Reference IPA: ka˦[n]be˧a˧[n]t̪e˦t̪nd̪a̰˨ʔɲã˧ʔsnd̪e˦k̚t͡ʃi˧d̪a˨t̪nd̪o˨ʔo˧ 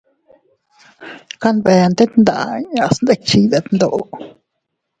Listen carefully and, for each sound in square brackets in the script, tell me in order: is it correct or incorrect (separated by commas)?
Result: correct, correct